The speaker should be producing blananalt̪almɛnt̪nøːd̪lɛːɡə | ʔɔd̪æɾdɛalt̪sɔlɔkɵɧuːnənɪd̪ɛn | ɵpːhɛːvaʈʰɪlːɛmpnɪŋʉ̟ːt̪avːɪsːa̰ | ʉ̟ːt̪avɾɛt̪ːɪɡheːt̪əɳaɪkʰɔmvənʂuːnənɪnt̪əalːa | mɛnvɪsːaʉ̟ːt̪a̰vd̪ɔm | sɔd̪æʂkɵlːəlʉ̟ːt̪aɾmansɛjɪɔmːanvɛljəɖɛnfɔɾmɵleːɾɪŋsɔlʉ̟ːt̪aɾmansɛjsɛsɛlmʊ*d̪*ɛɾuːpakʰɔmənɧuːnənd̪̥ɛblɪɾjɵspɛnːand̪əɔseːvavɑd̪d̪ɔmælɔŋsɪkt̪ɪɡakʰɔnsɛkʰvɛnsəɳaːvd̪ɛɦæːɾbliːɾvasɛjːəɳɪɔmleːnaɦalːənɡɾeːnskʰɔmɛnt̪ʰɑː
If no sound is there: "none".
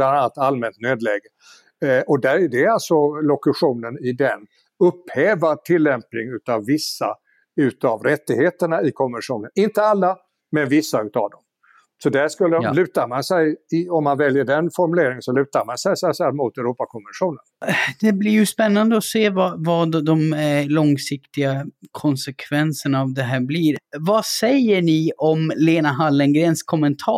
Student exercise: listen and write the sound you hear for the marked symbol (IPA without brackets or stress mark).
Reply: t̪